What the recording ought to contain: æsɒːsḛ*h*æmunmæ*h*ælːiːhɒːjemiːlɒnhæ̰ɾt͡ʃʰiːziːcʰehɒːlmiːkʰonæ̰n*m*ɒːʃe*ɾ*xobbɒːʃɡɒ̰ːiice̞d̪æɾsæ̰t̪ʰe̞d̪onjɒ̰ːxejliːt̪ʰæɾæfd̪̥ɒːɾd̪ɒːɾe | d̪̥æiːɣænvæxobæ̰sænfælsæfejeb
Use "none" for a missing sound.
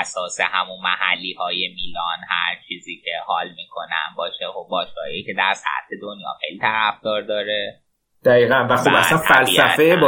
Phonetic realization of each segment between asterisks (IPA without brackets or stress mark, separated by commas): h, h, b, none